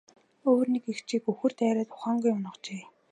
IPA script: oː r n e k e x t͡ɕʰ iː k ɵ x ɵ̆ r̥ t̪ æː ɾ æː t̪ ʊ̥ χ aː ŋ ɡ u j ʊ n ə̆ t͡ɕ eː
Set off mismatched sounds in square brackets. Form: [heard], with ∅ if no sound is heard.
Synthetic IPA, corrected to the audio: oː r n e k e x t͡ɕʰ iː k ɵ x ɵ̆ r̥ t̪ æː ɾ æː t̪ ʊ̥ χ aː ŋ ɡ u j ʊ n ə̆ t͡ɕ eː